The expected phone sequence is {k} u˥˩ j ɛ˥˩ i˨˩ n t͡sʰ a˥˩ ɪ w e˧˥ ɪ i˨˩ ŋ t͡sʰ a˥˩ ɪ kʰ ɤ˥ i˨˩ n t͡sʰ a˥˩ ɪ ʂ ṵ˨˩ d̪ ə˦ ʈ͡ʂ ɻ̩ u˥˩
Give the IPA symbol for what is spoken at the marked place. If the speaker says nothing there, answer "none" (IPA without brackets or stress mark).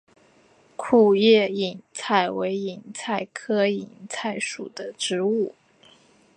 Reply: kʰ